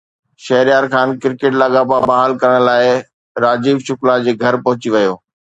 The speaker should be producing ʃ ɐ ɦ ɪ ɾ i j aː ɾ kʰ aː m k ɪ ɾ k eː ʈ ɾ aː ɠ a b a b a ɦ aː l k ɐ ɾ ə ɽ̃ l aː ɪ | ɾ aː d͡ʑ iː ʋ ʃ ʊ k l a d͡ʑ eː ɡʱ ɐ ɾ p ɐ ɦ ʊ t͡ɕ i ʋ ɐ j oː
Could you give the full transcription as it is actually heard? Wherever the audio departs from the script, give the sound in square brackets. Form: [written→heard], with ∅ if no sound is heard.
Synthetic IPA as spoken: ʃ ɐ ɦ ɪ ɾ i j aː ɾ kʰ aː [m→n] k ɪ ɾ k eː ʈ [ɾ→l] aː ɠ a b a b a ɦ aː l k ɐ ɾ ə ɽ̃ l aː ɪ | ɾ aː d͡ʑ iː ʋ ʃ ʊ k l a d͡ʑ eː ɡʱ ɐ ɾ p ɐ ɦ ʊ t͡ɕ i ʋ ɐ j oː